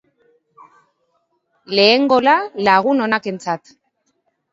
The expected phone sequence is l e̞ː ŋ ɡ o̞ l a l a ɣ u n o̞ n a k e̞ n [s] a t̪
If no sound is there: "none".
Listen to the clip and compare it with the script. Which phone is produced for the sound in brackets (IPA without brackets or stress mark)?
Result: t͡s